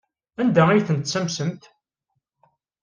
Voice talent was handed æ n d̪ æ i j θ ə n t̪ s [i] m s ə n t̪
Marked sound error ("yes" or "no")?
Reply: yes